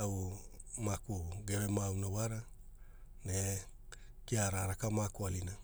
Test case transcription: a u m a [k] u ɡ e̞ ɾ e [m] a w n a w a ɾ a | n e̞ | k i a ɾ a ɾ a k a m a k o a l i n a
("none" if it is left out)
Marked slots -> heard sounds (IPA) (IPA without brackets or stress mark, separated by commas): k, m